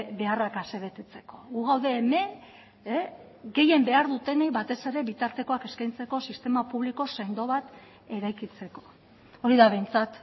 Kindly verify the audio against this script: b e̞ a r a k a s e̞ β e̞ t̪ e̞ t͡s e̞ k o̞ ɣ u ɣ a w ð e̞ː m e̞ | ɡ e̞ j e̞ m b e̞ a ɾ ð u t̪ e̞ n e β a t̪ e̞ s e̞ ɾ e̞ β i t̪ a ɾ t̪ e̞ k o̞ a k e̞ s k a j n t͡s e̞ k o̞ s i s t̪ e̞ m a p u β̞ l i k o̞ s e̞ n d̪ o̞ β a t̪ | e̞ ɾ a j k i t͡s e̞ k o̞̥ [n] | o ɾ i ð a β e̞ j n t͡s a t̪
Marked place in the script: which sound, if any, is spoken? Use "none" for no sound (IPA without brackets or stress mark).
none